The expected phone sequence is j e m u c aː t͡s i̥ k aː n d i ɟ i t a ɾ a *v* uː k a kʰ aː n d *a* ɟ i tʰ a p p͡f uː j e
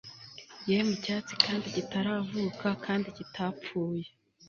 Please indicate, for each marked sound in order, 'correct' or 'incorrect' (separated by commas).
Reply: correct, incorrect